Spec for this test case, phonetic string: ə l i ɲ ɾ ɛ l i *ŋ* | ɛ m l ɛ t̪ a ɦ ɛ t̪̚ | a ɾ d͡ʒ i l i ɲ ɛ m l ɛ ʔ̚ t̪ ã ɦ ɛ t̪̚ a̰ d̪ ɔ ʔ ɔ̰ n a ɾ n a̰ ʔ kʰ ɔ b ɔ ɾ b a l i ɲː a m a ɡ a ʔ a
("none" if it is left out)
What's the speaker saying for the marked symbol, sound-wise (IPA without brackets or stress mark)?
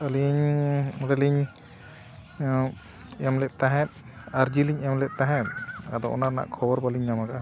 ɲ